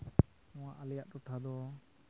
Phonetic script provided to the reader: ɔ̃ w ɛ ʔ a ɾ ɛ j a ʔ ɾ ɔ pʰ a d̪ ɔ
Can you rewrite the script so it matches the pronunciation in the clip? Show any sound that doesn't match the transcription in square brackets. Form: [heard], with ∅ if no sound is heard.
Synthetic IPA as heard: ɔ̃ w [a] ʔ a [l] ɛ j a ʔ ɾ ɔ [ʈʰ] a d̪ ɔ